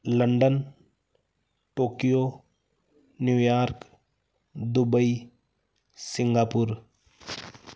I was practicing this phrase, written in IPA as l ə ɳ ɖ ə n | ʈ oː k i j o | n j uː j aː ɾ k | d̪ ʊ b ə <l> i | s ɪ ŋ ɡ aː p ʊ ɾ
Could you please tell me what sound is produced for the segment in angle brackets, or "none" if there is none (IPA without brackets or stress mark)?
none